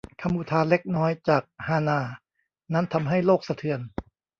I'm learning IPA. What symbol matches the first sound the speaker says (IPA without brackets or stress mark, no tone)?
kʰ